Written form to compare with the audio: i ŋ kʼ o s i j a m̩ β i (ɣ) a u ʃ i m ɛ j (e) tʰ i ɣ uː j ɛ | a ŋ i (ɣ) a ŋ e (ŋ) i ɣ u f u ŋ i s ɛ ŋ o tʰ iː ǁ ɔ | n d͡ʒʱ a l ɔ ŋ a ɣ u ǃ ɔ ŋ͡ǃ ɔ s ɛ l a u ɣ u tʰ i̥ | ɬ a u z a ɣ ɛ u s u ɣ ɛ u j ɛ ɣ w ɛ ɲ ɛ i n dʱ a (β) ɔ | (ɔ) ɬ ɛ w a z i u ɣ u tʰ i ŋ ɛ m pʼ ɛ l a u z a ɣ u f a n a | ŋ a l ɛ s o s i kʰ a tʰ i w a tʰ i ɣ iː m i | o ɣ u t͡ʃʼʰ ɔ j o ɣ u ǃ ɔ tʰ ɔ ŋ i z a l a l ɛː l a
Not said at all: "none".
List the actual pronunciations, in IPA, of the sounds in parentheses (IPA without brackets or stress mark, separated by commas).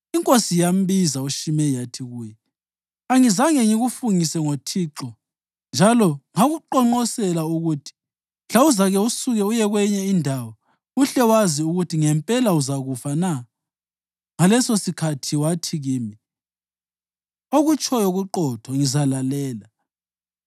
z, a, z, ŋ, w, u